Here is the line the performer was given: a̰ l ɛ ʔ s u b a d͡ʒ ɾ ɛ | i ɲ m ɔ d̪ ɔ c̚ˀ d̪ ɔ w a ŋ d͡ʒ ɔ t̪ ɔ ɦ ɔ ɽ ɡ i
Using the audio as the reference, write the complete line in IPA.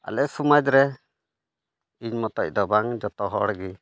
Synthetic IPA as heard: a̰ l ɛ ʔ s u m a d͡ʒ ɾ ɛ | i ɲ m ɔ t̪ ɔ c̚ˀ d̪ ɔ b a ŋ d͡ʒ ɔ t̪ ɔ ɦ ɔ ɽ ɡ i